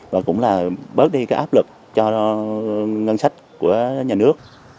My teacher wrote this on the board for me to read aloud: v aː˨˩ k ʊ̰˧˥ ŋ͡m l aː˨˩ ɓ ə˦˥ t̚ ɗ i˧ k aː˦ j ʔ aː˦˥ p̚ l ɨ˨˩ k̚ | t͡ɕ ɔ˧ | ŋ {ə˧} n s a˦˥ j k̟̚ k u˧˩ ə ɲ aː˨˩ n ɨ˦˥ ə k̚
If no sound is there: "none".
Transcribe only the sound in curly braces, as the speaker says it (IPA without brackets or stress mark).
ə˧